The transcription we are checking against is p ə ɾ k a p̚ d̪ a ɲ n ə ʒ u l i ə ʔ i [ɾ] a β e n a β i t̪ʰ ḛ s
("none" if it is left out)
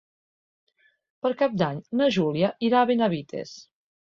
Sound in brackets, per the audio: ɾ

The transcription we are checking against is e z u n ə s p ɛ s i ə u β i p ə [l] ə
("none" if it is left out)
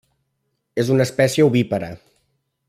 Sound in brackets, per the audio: ɾ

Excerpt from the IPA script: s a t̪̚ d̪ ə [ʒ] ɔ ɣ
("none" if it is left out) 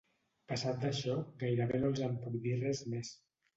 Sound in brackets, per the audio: ʃ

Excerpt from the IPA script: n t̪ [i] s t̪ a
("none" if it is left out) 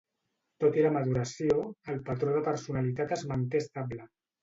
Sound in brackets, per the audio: e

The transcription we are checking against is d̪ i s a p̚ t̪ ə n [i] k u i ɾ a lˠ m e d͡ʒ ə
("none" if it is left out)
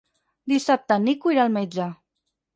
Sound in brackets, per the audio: i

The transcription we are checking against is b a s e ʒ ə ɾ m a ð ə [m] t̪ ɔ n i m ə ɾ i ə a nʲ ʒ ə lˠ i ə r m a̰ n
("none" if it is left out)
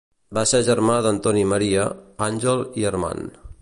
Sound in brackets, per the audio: n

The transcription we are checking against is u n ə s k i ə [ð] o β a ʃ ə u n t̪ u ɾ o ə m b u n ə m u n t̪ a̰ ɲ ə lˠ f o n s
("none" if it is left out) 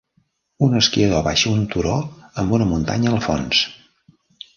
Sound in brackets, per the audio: ð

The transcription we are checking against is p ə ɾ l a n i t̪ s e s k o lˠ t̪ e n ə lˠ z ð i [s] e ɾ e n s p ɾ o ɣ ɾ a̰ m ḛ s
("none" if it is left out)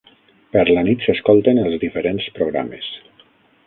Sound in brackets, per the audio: f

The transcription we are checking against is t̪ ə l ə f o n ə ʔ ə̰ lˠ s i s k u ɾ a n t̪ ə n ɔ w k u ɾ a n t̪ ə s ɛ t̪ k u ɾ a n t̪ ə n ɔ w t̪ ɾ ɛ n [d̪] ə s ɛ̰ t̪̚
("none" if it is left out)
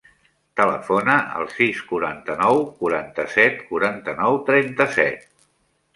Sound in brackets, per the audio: t̪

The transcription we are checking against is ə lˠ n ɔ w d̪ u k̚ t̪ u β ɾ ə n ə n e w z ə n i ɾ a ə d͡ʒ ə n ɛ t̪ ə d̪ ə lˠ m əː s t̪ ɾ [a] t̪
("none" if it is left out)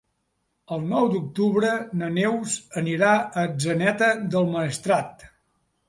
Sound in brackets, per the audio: a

